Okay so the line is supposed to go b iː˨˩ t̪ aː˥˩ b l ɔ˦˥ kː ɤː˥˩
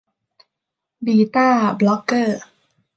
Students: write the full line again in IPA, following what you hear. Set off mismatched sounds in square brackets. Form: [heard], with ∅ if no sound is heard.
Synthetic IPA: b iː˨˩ t̪ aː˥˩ b l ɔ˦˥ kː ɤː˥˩

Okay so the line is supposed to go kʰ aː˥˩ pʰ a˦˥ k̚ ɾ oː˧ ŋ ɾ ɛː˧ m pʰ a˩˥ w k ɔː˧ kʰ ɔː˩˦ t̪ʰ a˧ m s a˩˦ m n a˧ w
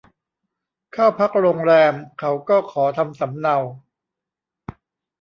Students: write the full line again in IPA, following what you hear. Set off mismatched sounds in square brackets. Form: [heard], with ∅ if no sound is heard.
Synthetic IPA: kʰ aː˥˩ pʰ a˦˥ k̚ ɾ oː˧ ŋ ɾ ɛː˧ m [kʰ] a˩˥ w k [ɔː˥˩] kʰ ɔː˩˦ t̪ʰ a˧ m s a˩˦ m n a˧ w

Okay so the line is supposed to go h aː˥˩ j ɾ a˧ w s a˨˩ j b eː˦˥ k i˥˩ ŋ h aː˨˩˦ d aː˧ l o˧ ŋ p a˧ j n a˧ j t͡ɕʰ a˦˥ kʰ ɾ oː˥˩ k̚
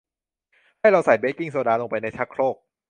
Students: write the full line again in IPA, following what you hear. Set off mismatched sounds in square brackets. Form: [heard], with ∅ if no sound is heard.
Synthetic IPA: h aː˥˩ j ɾ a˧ w s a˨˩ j b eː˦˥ k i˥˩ ŋ [s] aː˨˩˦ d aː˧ l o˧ ŋ p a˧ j n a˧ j t͡ɕʰ a˦˥ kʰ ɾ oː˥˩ k̚

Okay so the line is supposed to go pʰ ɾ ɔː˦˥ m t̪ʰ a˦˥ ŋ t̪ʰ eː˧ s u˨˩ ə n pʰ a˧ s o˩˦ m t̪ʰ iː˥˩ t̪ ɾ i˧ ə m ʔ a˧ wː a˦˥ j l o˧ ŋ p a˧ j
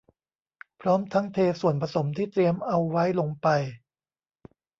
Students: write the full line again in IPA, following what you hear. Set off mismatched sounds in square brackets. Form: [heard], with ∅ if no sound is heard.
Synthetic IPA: pʰ ɾ ɔː˦˥ m t̪ʰ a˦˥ ŋ t̪ʰ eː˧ s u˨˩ ə n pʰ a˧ s o˩˦ m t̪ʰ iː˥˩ t̪ ɾ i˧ ə m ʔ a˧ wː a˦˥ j l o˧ ŋ p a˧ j

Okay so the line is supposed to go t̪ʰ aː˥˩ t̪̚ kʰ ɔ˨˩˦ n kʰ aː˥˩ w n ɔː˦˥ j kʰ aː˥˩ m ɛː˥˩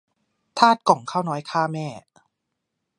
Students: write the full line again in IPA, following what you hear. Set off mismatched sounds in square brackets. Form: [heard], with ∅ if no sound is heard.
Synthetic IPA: t̪ʰ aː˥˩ t̪̚ [k] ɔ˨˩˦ [ŋ] kʰ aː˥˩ w n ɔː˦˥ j kʰ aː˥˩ m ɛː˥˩

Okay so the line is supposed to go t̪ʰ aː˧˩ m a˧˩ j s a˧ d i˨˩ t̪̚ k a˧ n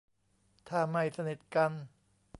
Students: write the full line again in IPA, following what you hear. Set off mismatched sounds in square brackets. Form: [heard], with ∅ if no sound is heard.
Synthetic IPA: t̪ʰ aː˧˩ m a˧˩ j s a˧ [n] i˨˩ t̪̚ k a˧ n

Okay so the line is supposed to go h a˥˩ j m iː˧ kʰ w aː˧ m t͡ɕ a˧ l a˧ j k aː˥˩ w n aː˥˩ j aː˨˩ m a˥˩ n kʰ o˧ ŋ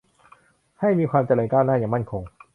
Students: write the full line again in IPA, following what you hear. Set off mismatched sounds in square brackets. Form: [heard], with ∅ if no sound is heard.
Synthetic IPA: h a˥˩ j m iː˧ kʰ w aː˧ m t͡ɕ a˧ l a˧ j k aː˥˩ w n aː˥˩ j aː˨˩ m a˥˩ n kʰ o˧ ŋ

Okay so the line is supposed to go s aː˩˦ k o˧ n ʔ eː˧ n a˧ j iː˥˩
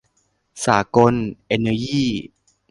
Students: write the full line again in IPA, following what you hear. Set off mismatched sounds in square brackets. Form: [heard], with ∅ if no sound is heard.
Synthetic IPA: s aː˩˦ k o˧ n ʔ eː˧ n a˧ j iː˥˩

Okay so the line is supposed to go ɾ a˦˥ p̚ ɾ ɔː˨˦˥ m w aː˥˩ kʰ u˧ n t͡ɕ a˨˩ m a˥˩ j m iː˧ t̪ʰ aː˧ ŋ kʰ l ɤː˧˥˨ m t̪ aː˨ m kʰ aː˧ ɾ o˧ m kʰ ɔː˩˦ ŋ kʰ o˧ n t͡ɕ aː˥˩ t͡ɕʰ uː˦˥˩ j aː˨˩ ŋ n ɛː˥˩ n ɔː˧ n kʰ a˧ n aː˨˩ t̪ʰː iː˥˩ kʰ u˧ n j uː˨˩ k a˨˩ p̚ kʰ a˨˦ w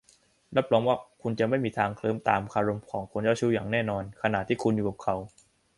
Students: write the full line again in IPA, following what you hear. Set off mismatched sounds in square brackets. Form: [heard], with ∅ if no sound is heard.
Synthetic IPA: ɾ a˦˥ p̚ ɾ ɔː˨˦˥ m w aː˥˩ kʰ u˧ n t͡ɕ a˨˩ m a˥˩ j m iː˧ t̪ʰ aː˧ ŋ kʰ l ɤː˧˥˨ m t̪ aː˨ m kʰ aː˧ ɾ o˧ m kʰ ɔː˩˦ ŋ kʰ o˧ n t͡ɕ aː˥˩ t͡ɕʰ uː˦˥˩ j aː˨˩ ŋ n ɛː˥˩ n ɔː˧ n kʰ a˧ n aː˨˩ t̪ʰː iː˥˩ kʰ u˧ n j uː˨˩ k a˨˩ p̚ kʰ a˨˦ w

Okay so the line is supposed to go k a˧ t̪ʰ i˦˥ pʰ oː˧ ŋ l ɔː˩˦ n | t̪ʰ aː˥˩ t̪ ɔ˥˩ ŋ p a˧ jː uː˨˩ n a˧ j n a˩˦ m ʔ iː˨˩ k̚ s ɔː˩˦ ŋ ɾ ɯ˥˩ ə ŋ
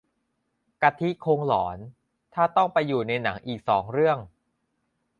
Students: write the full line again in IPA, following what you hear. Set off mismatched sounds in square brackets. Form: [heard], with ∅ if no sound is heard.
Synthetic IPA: k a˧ t̪ʰ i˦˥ [kʰ] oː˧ ŋ l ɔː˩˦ n | t̪ʰ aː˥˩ t̪ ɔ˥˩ ŋ p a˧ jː uː˨˩ n a˧ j n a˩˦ [ŋ] ʔ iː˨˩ k̚ s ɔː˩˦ ŋ ɾ ɯ˥˩ ə ŋ

